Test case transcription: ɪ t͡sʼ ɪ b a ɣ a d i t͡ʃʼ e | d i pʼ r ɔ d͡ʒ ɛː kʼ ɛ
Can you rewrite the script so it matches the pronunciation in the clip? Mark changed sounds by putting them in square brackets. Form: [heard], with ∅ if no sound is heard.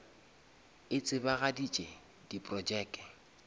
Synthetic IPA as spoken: ɪ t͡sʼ ɪ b a ɣ a d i t͡ʃʼ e | d i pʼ r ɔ d͡ʒ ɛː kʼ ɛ